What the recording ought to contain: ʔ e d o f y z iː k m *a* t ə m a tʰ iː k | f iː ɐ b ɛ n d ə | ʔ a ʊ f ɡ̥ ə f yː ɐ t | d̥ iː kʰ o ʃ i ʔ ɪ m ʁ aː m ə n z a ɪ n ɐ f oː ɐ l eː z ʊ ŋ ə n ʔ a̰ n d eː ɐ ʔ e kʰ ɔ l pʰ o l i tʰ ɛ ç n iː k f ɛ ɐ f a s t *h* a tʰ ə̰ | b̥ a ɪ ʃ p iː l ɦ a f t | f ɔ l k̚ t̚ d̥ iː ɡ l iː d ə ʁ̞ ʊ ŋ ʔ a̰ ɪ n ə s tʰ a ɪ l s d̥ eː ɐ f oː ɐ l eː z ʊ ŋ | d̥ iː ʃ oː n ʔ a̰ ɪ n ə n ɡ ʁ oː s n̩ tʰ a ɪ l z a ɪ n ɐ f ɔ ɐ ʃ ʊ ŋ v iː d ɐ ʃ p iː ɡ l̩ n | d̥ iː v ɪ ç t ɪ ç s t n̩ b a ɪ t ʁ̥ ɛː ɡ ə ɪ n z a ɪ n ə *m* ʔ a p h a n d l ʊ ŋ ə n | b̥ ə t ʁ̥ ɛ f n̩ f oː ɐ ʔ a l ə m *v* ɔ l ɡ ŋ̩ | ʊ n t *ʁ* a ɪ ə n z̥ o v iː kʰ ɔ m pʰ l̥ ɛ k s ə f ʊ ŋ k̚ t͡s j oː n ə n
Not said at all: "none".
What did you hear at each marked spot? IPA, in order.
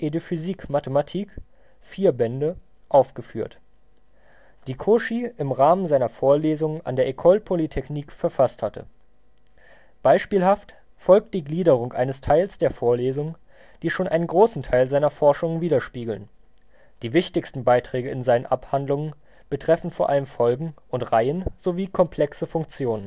a, h, n, f, ʁ

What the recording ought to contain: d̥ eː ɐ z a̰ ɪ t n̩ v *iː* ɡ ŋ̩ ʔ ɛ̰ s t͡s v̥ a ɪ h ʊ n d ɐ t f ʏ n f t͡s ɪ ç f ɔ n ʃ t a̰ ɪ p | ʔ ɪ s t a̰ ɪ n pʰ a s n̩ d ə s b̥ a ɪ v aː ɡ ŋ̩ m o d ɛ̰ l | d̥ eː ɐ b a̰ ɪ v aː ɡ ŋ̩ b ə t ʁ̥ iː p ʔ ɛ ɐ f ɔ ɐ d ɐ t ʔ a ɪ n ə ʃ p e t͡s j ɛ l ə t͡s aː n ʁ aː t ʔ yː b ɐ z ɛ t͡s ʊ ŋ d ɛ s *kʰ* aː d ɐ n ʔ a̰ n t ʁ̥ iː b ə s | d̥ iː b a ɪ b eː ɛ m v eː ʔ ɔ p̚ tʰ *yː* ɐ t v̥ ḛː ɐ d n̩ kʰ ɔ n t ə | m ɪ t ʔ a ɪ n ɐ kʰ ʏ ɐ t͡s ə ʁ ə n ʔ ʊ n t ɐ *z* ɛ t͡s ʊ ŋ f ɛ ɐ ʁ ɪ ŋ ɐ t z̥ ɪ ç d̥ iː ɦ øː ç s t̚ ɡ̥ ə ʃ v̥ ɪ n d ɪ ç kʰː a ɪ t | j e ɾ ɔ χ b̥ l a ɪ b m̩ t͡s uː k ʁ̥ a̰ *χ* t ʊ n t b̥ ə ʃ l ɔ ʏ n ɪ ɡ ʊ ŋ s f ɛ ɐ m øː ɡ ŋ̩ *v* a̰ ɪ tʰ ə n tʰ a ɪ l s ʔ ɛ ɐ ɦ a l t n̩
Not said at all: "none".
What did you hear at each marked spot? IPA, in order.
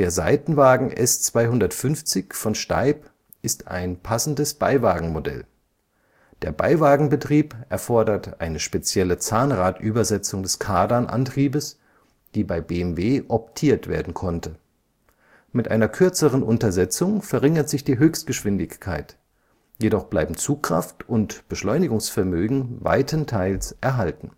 aː, kʰ, iː, z, f, v

